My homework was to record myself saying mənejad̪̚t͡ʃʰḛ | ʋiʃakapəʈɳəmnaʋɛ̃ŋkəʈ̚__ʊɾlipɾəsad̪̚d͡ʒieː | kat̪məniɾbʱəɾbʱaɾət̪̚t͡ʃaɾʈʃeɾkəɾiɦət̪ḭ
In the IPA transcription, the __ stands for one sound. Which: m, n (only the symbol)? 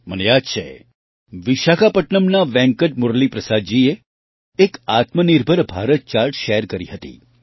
m